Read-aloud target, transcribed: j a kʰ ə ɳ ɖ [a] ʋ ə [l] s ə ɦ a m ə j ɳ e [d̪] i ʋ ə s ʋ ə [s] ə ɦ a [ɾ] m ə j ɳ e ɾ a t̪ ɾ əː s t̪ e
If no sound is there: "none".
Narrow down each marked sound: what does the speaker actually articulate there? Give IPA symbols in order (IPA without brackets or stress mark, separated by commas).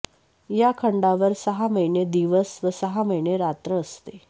a, ɾ, d̪, s, none